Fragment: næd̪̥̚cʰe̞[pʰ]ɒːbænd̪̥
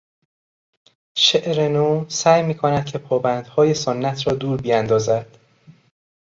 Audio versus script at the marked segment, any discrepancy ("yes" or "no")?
no